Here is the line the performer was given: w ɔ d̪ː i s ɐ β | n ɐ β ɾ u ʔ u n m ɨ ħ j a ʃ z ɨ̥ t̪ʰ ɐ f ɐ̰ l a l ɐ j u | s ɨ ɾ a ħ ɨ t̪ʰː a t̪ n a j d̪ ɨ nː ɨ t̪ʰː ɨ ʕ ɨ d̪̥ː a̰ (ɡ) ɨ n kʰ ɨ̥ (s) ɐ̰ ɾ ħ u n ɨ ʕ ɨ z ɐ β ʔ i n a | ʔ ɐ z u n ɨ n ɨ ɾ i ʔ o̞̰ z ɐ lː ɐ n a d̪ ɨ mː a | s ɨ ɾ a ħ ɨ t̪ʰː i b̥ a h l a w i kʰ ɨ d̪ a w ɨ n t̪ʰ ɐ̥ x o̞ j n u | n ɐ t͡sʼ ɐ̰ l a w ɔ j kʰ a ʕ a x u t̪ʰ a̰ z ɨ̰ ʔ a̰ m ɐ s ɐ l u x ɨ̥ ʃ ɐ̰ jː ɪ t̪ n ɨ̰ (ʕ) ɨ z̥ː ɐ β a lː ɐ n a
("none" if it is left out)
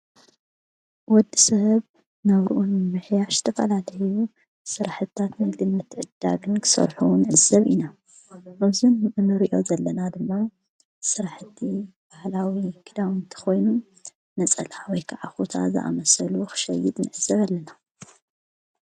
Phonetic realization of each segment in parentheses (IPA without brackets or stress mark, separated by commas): ɡ, s, ʕ